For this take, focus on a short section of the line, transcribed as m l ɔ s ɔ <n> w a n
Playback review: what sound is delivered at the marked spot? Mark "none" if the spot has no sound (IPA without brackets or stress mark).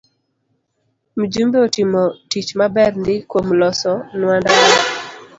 n